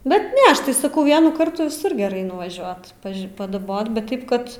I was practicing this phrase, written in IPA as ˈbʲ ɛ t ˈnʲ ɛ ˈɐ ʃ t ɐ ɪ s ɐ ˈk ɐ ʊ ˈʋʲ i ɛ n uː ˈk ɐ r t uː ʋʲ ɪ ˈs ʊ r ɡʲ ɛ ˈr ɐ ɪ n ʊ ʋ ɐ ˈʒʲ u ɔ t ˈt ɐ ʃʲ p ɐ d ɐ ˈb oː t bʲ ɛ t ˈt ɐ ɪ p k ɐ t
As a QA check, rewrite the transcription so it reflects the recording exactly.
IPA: ˈbʲ ɛ t ˈnʲ ɛ ˈɐ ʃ t ɐ ɪ s ɐ ˈk ɐ ʊ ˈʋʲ i ɛ n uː ˈk ɐ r t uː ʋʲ ɪ ˈs ʊ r ɡʲ ɛ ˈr ɐ ɪ n ʊ ʋ ɐ ˈʒʲ u ɔ t ˈp ɐ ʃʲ p ɐ d ɐ ˈb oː t bʲ ɛ t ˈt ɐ ɪ p k ɐ t